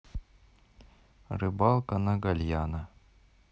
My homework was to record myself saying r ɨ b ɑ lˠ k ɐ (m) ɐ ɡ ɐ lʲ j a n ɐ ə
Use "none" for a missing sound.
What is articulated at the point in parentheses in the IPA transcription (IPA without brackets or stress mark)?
n